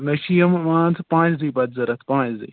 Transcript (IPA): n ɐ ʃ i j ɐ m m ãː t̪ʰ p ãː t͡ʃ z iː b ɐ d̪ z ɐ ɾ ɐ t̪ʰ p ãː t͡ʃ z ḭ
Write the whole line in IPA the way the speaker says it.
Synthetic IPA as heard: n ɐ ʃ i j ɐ m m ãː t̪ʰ p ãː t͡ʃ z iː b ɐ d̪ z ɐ ɾ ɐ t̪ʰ p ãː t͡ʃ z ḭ